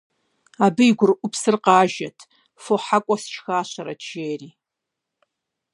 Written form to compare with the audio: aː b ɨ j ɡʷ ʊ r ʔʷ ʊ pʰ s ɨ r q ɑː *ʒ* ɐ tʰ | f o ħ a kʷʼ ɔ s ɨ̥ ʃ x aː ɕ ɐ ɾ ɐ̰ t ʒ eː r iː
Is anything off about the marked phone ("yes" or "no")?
no